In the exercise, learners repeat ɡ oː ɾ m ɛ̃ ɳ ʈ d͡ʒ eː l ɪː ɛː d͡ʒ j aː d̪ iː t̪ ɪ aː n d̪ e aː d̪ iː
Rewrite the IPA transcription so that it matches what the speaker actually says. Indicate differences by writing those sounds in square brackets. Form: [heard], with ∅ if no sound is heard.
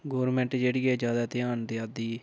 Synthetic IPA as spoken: ɡ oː ɾ m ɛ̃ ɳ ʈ d͡ʒ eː [ɽ] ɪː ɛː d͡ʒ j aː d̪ [aː] t̪ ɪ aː n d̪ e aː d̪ iː